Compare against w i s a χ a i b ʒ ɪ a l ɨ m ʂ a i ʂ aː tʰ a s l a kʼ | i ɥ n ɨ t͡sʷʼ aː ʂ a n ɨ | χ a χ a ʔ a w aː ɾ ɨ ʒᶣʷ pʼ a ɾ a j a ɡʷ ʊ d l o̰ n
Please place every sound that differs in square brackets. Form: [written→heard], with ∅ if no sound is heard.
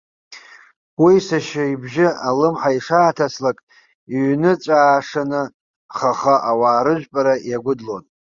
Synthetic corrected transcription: w i s a [χ→ʃ] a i b ʒ ɪ a l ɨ m [ʂ→ħ] a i ʂ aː tʰ a s l a kʼ | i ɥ n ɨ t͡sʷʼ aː ʂ a n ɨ | χ a χ a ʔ a w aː ɾ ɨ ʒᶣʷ pʼ a ɾ a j a ɡʷ ʊ d l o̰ n